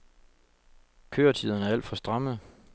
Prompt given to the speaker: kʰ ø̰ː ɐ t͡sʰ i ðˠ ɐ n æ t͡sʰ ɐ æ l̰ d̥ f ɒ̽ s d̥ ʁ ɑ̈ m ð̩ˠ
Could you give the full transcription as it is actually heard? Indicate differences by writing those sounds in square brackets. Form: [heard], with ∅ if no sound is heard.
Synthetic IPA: kʰ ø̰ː ɐ t͡sʰ i ðˠ ɐ n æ [∅] ɐ æ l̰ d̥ f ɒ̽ s d̥ ʁ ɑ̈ m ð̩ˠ